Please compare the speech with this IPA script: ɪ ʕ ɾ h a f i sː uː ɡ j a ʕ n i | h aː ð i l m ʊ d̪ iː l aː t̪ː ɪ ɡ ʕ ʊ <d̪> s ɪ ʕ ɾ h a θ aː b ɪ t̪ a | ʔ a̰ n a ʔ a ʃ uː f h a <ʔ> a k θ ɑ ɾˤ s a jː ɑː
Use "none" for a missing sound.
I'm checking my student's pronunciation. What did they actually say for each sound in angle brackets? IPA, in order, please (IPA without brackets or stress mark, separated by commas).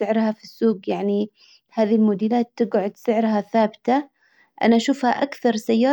d̪, ʔ